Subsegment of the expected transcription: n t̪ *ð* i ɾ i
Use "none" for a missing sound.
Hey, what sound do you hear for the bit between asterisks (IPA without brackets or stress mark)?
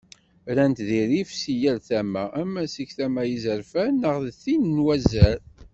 ð